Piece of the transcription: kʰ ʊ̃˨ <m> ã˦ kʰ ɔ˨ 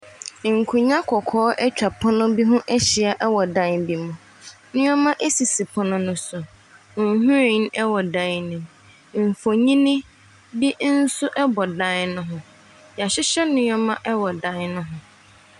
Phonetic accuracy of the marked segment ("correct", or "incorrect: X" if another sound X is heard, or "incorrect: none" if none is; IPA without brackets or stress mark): incorrect: ɲ